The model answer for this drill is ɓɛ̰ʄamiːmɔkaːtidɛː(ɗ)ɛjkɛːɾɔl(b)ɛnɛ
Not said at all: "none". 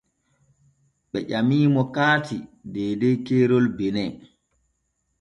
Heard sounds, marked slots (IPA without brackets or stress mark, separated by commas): d, b